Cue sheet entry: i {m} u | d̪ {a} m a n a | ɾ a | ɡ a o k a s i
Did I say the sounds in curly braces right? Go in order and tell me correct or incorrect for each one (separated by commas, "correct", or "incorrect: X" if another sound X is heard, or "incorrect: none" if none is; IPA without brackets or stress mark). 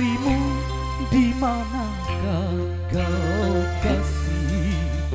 correct, incorrect: i